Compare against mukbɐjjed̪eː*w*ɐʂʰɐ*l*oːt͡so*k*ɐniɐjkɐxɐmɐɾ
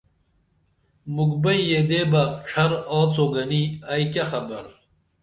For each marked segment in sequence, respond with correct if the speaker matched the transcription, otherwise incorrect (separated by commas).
incorrect, incorrect, incorrect